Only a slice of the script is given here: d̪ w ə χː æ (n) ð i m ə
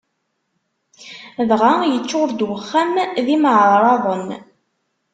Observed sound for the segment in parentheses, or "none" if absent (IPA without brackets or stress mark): m